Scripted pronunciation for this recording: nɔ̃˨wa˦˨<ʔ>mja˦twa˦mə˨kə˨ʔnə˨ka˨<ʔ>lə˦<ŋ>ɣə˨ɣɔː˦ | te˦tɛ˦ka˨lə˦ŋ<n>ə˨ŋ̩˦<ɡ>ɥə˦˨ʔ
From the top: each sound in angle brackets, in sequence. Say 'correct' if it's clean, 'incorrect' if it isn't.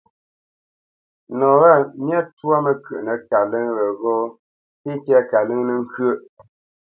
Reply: incorrect, incorrect, correct, correct, incorrect

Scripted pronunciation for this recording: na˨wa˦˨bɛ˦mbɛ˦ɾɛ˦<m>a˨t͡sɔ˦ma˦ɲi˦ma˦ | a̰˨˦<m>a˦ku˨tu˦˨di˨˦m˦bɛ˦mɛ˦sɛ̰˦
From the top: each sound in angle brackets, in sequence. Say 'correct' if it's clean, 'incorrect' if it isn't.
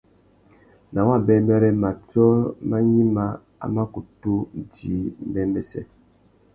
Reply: correct, correct

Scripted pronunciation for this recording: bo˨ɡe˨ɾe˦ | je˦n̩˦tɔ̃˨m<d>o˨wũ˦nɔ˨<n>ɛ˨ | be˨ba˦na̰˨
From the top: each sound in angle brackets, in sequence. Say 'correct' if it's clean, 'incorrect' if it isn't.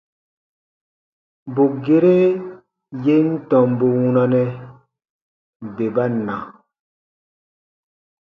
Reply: incorrect, correct

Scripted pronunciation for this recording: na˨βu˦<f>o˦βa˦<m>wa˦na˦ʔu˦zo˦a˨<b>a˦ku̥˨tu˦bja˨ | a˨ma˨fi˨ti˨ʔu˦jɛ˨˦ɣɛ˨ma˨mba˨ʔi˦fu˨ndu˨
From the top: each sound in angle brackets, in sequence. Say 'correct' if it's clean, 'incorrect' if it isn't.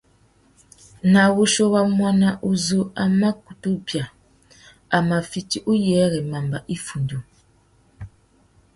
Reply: incorrect, correct, incorrect

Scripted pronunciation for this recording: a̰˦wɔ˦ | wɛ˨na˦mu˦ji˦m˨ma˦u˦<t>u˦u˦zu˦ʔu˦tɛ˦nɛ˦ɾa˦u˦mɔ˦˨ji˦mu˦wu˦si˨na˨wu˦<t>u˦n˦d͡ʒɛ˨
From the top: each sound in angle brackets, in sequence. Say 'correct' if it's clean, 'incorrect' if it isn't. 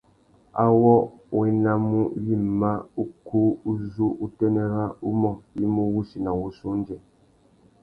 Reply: incorrect, incorrect

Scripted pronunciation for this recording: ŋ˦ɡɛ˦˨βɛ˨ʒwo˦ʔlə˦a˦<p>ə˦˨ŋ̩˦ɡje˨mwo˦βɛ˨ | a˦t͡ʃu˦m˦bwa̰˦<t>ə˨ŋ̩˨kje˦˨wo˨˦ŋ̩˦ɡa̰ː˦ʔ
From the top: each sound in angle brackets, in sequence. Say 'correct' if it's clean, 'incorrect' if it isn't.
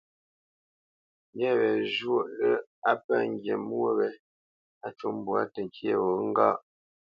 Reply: correct, correct

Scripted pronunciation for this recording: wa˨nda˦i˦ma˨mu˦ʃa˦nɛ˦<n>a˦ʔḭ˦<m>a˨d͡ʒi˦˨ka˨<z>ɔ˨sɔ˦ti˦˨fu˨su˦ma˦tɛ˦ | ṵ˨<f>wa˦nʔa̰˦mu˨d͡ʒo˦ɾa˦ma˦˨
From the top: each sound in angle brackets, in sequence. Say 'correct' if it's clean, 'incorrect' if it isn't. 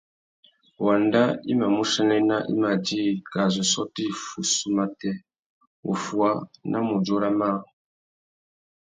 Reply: correct, correct, correct, correct

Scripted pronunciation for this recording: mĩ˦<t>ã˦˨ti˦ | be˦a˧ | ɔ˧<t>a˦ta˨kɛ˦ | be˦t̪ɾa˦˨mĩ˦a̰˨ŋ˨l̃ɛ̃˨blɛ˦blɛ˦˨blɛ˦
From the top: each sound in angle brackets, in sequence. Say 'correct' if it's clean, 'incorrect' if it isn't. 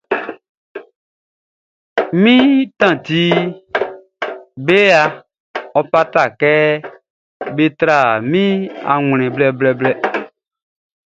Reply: correct, incorrect

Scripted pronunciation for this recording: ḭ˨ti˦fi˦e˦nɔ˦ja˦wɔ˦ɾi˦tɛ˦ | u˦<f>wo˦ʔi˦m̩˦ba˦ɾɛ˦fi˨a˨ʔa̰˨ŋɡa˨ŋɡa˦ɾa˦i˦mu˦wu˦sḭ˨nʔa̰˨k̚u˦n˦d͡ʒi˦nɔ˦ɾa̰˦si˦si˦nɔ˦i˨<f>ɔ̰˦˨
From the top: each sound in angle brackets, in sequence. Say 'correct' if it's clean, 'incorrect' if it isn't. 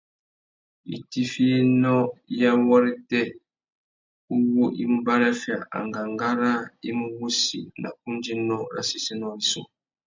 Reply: incorrect, incorrect

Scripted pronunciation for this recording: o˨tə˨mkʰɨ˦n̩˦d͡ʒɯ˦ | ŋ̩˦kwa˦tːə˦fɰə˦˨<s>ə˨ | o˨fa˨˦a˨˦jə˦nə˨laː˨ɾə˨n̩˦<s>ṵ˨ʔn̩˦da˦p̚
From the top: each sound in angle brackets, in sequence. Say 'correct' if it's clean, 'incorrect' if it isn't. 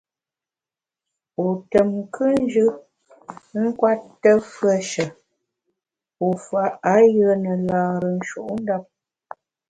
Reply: incorrect, incorrect

